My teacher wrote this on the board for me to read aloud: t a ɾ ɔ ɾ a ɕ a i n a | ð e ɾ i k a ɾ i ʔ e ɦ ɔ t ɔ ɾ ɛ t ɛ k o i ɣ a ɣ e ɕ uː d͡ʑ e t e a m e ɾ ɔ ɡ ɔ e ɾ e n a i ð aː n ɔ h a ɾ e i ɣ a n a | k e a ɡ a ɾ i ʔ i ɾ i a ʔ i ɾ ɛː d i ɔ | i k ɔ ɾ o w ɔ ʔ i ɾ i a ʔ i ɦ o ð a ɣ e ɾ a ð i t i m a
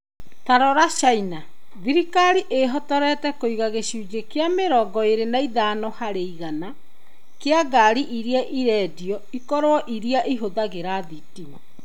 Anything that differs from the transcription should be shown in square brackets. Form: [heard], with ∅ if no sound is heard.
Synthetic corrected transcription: t a ɾ ɔ ɾ a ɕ a i n a | ð [i] ɾ i k a ɾ i ʔ e ɦ ɔ t ɔ ɾ ɛ t ɛ k o i ɣ a ɣ e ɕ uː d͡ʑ e [k] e a m e ɾ ɔ ɡ ɔ e ɾ e n a i ð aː n ɔ h a ɾ e i ɣ a n a | k e a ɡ a ɾ i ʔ i ɾ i a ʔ i ɾ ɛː d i ɔ | i k ɔ ɾ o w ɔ ʔ i ɾ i a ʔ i ɦ o ð a ɣ e ɾ a ð i t i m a